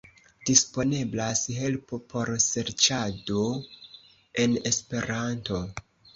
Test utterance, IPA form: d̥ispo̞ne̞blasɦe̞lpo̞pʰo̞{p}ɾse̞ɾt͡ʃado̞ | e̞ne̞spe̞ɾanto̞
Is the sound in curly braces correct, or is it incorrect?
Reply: incorrect